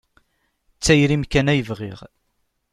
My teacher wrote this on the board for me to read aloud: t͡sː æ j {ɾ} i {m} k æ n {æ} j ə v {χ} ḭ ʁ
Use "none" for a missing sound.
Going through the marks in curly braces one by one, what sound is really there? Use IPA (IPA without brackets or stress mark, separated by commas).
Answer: ɾ, m, æ, ʁ